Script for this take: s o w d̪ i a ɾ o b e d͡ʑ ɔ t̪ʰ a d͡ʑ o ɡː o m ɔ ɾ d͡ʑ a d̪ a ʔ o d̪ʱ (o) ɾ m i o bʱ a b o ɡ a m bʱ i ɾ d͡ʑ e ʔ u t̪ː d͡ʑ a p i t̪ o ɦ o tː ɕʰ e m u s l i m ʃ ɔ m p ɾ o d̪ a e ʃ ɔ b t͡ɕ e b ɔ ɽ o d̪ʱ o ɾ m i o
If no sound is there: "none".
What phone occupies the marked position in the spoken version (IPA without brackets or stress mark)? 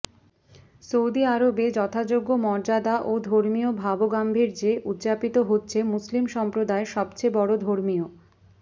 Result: o